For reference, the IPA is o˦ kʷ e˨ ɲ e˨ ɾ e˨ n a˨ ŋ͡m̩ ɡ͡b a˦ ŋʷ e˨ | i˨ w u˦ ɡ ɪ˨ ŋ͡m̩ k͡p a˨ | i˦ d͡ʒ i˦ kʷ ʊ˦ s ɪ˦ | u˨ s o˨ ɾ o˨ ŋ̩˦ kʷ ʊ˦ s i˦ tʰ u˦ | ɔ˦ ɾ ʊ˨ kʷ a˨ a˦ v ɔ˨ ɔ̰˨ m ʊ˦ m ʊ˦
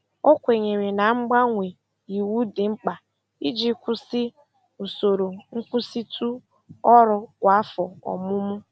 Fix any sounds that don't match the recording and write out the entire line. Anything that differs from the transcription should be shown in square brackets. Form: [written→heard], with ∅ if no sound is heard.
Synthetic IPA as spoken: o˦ kʷ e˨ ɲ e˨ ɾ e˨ n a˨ ŋ͡m̩ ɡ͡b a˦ ŋʷ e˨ | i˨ w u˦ [ɡ→d] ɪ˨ ŋ͡m̩ k͡p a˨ | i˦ d͡ʒ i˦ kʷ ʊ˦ s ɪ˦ | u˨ s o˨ ɾ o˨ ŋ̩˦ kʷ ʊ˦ s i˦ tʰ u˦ | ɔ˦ ɾ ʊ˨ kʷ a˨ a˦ [v→f] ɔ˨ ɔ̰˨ m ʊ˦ m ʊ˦